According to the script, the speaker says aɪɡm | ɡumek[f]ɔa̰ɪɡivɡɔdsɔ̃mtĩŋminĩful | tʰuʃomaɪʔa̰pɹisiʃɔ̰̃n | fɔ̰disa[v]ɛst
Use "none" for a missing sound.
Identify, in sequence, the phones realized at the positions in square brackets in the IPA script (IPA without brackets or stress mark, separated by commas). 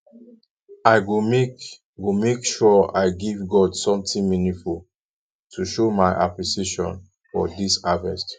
ʃ, v